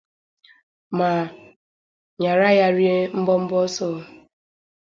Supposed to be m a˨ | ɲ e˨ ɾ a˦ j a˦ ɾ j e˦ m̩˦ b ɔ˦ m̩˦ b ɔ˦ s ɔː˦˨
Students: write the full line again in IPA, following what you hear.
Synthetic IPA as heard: m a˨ | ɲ a˨ ɾ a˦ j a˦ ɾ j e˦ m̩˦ b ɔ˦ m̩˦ b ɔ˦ s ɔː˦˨